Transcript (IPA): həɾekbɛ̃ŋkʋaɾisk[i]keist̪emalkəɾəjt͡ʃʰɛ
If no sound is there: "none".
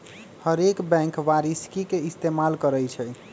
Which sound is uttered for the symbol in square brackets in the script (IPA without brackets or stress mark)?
i